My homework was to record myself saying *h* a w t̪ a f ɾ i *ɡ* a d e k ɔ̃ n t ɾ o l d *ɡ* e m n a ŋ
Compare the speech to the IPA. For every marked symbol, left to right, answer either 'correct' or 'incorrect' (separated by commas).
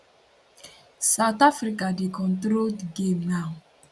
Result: incorrect, incorrect, correct